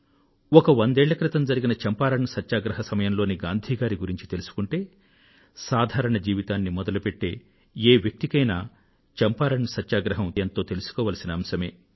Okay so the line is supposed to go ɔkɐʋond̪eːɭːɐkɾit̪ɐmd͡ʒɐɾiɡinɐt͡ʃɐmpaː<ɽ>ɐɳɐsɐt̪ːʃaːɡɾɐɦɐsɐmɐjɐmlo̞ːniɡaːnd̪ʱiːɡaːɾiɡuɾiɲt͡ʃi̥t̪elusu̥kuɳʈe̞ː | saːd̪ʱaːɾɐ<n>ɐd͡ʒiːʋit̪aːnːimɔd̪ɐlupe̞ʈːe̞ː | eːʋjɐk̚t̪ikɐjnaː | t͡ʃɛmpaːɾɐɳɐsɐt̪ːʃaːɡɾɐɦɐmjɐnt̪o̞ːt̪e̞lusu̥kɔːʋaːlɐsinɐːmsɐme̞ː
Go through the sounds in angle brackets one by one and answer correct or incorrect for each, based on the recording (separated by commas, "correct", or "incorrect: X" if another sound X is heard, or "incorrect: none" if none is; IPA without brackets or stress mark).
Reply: incorrect: ɾ, incorrect: ɳ